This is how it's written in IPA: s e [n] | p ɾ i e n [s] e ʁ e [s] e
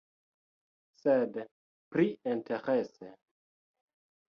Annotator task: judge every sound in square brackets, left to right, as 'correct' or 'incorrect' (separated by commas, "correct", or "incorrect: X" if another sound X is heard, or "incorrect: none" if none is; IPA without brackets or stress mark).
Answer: incorrect: d, incorrect: t, correct